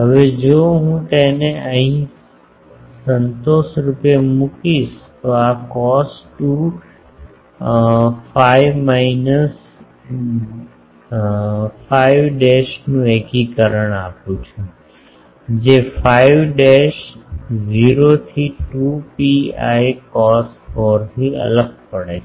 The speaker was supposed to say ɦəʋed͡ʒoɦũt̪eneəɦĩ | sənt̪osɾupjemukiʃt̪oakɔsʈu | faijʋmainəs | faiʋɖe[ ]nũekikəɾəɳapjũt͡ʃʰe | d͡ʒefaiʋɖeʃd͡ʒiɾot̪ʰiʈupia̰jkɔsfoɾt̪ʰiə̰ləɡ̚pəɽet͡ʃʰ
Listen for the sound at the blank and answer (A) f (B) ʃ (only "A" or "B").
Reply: B